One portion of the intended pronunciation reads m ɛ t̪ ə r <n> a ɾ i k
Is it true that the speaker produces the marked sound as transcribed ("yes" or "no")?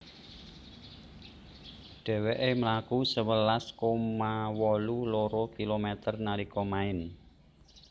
yes